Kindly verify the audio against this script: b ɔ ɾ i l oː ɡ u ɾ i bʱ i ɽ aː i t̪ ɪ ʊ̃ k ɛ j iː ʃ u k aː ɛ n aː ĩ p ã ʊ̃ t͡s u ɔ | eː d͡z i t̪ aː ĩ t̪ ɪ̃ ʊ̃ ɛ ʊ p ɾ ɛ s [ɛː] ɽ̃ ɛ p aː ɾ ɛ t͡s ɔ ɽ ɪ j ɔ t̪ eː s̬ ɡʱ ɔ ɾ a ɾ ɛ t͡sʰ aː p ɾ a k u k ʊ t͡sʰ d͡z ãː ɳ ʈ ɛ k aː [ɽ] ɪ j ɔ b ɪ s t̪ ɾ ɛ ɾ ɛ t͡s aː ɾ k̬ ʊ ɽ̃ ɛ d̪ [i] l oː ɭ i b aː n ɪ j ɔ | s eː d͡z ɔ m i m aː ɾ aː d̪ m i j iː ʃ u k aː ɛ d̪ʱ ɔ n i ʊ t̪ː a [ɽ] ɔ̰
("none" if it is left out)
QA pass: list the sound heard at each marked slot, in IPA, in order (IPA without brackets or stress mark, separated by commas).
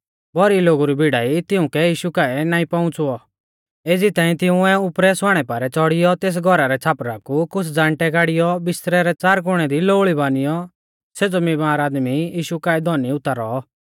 aː, ɽ, i, ɾ